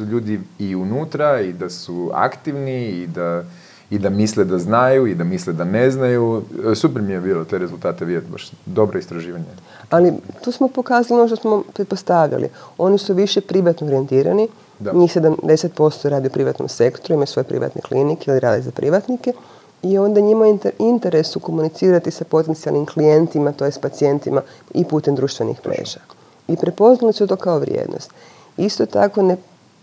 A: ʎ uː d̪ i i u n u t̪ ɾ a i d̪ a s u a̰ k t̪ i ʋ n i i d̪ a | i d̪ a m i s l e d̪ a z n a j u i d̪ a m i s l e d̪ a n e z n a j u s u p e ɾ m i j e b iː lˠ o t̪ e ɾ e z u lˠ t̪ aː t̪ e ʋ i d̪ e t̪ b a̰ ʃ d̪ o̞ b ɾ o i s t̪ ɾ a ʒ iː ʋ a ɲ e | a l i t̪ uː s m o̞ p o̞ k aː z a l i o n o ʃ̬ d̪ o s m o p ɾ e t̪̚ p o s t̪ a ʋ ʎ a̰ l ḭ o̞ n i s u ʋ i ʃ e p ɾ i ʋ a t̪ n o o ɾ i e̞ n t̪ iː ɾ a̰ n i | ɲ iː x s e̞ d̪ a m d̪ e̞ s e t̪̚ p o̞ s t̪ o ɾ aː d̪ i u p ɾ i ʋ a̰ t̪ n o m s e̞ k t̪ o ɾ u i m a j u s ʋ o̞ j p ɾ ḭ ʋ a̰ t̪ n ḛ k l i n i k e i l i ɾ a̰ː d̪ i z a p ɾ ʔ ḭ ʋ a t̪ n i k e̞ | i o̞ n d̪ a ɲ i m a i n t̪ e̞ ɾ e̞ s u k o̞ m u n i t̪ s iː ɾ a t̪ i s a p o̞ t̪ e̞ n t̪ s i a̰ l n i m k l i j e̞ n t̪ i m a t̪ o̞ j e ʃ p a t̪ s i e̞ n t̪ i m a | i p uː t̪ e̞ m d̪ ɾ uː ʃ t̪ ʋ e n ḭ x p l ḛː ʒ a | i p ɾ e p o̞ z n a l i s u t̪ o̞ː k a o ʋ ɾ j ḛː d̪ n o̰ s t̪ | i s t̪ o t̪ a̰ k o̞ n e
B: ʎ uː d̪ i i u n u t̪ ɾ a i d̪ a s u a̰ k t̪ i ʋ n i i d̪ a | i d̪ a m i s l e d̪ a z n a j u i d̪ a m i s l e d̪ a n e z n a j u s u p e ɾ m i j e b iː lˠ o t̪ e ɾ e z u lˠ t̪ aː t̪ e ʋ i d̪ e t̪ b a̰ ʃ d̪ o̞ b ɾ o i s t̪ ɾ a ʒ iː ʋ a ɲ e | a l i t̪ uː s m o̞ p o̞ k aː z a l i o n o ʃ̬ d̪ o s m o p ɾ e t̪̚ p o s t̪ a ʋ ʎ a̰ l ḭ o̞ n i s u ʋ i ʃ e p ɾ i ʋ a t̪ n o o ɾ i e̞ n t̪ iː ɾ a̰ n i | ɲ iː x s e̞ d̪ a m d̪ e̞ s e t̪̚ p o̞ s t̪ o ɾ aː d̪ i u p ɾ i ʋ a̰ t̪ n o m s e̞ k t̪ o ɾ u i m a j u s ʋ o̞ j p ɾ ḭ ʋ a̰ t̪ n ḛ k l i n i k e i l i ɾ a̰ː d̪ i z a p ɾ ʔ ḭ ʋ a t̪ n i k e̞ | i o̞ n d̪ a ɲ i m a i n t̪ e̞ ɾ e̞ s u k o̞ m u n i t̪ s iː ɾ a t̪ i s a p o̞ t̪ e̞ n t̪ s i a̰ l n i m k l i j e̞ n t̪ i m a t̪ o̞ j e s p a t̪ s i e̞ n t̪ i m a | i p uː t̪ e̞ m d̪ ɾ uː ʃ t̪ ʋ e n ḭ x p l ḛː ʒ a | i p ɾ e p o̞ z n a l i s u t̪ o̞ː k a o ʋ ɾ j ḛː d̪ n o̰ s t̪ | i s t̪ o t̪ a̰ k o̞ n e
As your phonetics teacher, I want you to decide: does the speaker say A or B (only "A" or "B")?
B